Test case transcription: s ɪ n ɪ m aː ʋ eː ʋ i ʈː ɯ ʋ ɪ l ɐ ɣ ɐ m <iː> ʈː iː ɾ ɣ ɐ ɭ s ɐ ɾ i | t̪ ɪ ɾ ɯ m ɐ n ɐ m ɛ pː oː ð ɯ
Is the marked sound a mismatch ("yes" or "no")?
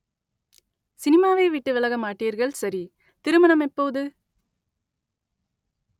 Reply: yes